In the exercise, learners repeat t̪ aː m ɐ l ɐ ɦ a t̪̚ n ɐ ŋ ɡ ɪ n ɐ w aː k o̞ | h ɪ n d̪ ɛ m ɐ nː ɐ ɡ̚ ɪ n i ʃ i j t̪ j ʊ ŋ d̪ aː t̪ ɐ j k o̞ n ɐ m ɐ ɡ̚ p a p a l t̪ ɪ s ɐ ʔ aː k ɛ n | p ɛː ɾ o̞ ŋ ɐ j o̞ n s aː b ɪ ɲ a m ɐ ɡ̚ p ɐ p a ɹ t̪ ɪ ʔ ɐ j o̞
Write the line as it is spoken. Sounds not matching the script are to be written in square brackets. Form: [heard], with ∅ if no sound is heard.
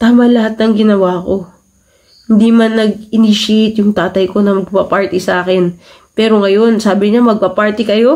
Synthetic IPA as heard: t̪ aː m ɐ l ɐ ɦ a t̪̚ n ɐ ŋ ɡ ɪ n ɐ w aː k o̞ | h ɪ n d̪ [i] m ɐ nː ɐ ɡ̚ ɪ n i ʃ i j t̪ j ʊ ŋ [t̪] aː t̪ ɐ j k o̞ n ɐ m ɐ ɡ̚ p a p a [ɹ] t̪ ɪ s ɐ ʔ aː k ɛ n | p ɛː ɾ o̞ ŋ ɐ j o̞ n s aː b ɪ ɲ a m ɐ ɡ̚ p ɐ p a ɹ t̪ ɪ [k] ɐ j o̞